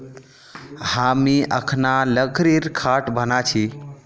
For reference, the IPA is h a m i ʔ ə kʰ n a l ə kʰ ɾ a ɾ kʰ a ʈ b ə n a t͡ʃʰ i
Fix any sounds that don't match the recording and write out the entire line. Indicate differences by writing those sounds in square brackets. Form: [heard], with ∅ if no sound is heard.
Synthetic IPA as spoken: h a m i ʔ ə kʰ n a l ə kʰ ɾ [i] ɾ kʰ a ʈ b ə n a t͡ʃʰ i